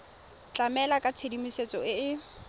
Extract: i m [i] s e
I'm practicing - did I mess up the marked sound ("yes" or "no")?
no